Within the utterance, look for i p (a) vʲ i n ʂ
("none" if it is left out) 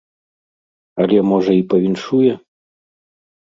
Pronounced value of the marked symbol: ɐ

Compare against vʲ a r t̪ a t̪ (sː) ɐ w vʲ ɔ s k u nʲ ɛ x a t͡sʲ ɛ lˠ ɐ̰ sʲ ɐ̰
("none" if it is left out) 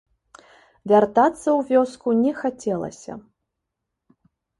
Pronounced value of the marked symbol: sː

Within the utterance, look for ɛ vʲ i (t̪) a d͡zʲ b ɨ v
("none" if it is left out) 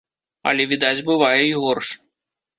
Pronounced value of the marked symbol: d̪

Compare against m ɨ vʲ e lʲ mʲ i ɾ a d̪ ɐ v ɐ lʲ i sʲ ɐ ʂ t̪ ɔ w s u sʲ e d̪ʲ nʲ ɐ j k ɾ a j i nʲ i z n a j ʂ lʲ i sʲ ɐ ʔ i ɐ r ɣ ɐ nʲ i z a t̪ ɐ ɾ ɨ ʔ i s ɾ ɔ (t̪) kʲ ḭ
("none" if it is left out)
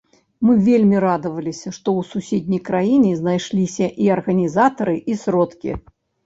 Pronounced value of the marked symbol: t̪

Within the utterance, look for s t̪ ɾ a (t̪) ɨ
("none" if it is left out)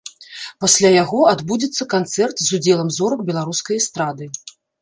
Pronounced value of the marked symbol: d̪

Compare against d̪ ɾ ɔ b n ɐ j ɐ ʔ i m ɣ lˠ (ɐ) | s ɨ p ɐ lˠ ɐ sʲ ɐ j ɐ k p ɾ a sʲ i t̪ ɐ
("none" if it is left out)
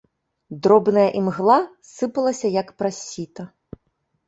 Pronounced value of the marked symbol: a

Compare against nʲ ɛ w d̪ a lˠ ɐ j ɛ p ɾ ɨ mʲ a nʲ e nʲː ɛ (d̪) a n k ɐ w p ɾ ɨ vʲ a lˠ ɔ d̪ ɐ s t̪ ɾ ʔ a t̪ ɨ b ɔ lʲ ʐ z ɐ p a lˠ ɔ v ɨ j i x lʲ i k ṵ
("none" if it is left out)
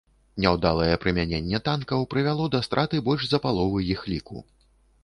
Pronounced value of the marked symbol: t̪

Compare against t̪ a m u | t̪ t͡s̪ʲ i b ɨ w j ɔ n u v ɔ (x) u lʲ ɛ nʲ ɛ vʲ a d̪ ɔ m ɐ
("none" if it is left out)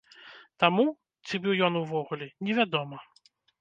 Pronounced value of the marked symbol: ɣ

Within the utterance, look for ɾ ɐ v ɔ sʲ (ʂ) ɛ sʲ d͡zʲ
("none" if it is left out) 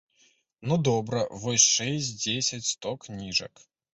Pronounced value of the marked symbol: ʂ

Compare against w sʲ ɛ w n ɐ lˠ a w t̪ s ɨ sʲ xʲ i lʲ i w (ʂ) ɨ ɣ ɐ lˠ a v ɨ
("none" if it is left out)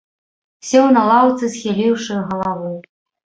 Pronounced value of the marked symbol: ʂ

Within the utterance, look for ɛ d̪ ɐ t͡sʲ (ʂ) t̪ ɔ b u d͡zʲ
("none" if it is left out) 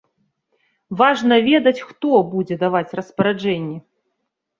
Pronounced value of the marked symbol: x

